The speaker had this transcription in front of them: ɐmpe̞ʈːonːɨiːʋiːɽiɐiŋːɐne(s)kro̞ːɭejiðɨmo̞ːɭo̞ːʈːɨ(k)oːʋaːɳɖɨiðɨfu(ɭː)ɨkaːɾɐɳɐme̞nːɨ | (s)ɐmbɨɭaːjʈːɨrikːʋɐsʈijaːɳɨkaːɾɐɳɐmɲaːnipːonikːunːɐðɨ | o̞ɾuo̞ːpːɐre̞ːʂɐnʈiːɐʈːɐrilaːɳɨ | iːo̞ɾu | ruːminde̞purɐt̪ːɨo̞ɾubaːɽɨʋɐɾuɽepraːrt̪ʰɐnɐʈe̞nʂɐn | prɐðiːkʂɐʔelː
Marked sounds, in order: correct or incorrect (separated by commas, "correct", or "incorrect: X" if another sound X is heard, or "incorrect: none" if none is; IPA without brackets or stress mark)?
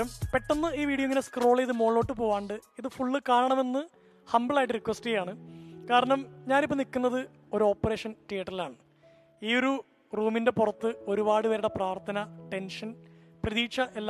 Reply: correct, incorrect: p, correct, incorrect: h